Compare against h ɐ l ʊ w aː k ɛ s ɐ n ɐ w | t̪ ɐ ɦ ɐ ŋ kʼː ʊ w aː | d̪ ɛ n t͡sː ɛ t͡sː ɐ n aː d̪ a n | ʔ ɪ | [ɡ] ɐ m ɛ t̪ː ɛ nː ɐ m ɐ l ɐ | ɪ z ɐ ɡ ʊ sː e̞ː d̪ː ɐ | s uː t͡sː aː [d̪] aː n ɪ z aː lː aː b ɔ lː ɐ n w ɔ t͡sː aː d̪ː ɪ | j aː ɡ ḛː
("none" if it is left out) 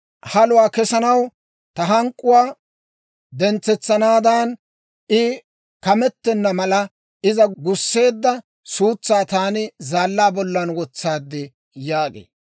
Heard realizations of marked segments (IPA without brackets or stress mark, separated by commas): k, t̪